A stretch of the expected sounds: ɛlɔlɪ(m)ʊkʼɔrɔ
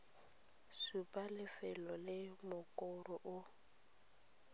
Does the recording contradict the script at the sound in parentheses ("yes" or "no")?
no